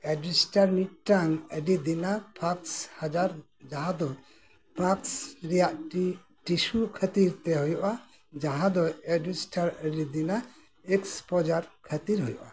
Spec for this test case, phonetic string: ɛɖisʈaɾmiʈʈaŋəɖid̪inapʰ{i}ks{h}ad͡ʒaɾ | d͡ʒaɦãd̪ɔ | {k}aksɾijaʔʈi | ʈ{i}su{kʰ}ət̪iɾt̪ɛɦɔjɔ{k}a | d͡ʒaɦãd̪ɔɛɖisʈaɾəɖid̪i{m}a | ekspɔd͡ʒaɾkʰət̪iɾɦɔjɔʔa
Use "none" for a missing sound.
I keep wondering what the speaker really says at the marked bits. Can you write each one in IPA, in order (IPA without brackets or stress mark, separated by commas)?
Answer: a, h, p, i, kʰ, ʔ, n